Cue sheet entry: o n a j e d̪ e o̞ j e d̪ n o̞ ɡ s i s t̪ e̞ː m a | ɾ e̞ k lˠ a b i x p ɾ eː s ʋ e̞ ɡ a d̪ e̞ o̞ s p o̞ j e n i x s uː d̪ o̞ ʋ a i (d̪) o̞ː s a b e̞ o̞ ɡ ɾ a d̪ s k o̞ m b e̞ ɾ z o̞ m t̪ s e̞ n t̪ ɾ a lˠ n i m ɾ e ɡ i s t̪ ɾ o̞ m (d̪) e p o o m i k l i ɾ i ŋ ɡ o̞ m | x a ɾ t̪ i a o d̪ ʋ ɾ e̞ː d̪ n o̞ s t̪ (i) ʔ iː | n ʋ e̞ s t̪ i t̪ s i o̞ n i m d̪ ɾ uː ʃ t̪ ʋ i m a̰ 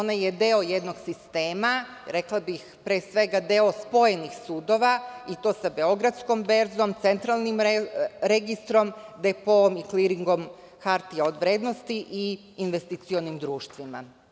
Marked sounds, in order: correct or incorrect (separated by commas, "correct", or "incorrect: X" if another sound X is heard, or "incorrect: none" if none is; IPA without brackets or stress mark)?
incorrect: t̪, correct, correct